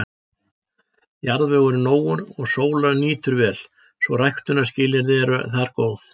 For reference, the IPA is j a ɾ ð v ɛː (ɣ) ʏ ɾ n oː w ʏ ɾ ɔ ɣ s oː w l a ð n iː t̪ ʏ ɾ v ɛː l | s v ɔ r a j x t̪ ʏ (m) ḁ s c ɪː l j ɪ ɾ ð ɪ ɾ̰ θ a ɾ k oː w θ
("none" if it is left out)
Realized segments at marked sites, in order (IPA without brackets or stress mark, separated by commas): ɣ, n